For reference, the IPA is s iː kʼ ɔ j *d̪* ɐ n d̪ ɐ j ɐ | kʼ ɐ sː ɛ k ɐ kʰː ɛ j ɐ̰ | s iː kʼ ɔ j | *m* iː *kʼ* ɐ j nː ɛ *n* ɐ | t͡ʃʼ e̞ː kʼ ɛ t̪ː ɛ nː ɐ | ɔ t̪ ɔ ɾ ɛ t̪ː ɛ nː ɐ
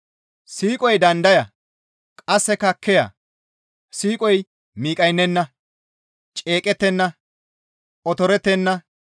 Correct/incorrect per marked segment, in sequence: correct, correct, correct, incorrect: nː

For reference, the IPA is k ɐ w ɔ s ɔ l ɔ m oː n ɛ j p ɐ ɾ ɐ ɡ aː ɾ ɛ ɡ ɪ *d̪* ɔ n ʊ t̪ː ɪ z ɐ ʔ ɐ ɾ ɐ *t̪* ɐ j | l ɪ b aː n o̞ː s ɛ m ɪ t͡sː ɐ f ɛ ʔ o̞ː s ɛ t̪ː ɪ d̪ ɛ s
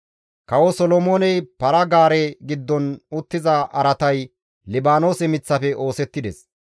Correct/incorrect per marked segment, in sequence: incorrect: d̪ː, correct

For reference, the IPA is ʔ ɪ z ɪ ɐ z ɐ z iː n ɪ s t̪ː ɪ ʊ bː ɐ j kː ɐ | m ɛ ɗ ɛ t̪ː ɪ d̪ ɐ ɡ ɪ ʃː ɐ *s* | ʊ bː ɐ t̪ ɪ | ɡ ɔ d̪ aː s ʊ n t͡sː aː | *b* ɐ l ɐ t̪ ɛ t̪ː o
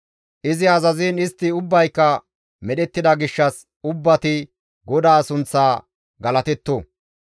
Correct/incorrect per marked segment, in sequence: correct, incorrect: ɡ

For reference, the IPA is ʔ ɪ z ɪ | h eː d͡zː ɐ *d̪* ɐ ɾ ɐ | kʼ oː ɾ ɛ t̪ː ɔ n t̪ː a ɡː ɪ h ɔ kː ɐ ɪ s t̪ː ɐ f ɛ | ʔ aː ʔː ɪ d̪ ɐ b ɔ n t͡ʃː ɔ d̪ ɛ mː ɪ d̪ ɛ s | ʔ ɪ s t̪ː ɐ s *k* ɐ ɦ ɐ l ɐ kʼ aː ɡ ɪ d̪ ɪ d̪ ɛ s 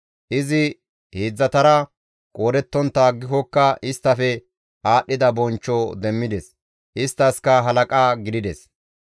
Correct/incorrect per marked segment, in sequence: incorrect: t̪, correct

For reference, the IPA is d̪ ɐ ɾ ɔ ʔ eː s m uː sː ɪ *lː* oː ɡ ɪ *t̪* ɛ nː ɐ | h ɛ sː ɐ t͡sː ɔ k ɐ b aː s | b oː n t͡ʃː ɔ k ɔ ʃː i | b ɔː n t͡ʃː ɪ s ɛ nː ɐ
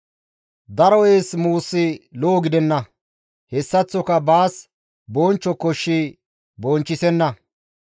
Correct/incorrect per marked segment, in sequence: incorrect: l, incorrect: d̪

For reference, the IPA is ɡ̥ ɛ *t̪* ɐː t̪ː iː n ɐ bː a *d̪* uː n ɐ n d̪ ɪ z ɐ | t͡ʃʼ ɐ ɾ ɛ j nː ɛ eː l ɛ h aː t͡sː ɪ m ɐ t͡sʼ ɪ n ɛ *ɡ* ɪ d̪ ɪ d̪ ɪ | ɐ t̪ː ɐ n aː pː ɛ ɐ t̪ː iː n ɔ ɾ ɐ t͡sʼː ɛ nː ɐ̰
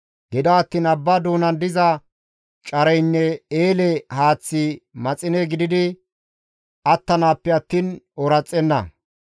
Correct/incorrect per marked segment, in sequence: incorrect: d̪, correct, correct

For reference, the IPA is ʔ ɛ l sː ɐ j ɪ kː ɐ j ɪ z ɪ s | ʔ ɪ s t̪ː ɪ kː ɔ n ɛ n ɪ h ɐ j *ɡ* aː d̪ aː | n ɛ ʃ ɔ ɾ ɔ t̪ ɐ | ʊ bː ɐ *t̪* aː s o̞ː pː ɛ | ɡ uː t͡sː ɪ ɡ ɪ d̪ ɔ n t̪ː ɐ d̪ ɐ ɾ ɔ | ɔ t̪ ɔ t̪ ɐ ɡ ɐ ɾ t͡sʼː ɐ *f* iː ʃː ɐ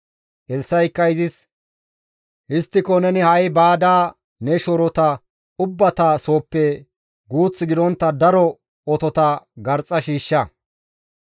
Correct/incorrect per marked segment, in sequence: incorrect: b, correct, incorrect: ʃ

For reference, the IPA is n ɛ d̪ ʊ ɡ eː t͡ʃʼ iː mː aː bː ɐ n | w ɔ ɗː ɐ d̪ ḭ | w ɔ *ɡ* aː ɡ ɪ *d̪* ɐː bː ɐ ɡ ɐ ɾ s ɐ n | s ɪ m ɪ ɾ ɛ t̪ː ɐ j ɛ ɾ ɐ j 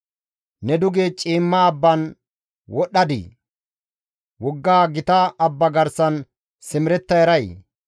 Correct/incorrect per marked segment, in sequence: incorrect: ɡː, incorrect: t̪

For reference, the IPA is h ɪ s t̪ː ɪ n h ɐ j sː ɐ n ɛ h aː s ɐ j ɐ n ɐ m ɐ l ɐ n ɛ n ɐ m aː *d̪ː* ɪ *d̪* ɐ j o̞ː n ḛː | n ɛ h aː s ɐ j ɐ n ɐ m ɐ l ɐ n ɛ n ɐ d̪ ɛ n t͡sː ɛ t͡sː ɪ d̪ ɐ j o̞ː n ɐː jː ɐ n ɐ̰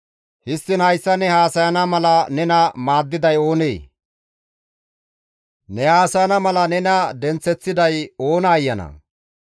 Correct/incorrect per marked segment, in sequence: correct, correct

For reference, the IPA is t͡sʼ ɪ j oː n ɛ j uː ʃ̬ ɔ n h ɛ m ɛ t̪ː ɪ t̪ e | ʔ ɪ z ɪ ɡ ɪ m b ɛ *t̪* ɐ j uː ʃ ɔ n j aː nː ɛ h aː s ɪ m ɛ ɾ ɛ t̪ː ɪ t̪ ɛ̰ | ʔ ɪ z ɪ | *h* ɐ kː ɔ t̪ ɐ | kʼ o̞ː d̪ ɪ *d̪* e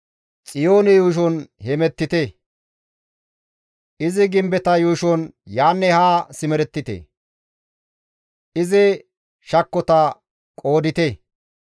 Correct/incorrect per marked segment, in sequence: correct, incorrect: ʃ, incorrect: t̪

